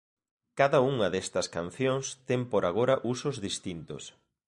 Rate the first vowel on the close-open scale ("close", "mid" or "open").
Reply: open